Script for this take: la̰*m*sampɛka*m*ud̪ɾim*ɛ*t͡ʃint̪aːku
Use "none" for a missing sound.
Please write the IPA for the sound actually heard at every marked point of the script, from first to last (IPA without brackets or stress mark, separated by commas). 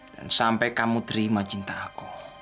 n, m, a